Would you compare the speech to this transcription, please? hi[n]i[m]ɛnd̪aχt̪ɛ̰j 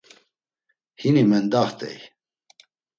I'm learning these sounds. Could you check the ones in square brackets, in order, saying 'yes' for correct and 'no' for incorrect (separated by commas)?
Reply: yes, yes